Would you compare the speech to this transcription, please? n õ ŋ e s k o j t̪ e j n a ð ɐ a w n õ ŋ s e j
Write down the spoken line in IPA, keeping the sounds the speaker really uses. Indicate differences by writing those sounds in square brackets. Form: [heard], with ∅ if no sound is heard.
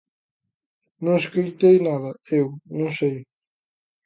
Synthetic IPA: n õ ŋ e s k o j t̪ e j n a ð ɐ [e] w n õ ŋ s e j